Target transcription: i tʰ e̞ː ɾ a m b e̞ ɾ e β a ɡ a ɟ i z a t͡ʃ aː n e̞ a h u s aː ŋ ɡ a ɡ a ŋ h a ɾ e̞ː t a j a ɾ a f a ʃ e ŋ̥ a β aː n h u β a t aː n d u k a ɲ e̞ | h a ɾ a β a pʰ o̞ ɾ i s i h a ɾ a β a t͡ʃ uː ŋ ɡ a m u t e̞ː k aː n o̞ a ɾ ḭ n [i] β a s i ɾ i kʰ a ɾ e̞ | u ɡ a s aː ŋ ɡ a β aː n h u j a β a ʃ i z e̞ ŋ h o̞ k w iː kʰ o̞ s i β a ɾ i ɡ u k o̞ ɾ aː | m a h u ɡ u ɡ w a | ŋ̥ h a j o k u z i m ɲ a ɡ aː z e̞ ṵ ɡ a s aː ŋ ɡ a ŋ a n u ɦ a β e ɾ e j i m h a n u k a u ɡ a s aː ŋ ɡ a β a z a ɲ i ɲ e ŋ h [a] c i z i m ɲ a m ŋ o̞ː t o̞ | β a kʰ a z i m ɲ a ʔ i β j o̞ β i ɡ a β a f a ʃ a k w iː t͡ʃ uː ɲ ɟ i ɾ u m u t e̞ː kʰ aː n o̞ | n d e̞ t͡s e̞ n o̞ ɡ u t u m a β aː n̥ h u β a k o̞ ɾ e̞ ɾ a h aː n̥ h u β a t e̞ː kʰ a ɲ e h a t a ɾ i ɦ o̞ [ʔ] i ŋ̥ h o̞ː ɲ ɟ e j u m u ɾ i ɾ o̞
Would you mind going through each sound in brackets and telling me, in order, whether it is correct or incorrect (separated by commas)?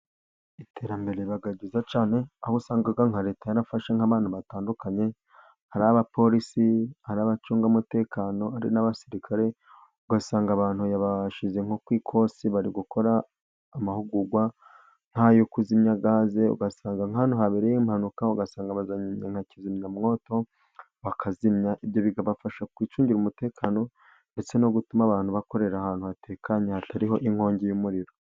incorrect, correct, correct